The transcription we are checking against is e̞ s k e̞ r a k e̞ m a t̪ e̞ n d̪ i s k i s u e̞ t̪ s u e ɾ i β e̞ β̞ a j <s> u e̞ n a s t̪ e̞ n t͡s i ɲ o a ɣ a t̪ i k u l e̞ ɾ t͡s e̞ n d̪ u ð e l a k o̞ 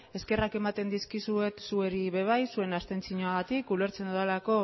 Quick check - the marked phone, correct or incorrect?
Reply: correct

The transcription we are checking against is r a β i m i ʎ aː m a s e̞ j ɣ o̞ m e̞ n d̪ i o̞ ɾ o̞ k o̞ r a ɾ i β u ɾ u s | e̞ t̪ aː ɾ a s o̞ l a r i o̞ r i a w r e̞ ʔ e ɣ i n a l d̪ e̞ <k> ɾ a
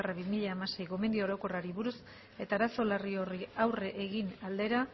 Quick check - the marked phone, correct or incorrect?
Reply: incorrect: none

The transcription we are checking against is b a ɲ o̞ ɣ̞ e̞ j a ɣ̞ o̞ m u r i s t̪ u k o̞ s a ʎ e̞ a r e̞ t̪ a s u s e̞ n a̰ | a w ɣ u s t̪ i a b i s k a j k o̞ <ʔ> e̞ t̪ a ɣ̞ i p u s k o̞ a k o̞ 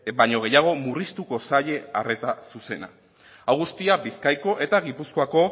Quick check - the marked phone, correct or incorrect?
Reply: correct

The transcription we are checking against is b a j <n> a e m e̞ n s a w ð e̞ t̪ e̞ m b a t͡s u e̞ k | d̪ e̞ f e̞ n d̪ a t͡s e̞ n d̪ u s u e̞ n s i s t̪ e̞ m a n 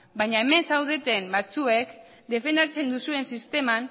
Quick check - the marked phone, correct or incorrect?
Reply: incorrect: ɲ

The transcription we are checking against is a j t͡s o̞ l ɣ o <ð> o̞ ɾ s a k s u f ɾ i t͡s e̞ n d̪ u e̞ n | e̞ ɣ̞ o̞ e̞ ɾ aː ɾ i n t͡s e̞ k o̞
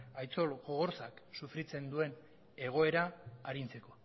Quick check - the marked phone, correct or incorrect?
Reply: incorrect: ɣ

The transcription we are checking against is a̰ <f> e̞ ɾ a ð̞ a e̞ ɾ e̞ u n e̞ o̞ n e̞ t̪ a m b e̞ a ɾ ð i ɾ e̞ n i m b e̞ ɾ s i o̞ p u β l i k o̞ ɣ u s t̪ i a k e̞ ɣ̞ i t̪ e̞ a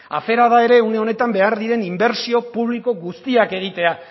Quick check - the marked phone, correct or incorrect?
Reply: correct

